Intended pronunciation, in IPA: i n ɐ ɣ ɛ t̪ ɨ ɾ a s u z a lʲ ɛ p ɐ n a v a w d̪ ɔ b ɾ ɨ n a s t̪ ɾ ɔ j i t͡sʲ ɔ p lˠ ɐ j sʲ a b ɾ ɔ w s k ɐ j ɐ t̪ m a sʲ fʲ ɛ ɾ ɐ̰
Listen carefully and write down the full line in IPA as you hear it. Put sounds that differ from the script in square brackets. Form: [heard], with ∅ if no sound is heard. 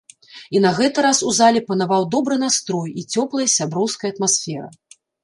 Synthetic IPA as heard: i n ɐ ɣ ɛ t̪ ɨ ɾ a s u z a lʲ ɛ p ɐ n a v a w d̪ ɔ b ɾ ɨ n a s t̪ ɾ ɔ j i t͡sʲ ɔ p lˠ ɐ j sʲ a b ɾ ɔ w s k ɐ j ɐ t̪ m a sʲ fʲ ɛ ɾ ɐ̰